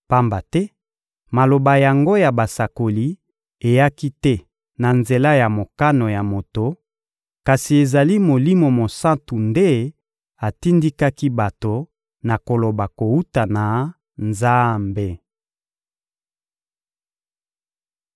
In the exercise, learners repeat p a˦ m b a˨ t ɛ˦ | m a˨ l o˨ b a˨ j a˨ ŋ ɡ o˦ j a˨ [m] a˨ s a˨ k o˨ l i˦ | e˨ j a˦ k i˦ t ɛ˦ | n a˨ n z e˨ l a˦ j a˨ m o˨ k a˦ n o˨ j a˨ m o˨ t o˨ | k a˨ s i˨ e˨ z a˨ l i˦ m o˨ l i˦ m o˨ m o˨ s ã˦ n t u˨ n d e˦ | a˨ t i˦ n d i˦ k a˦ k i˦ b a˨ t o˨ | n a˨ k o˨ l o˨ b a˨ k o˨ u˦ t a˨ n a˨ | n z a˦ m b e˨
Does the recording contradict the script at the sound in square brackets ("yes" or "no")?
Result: yes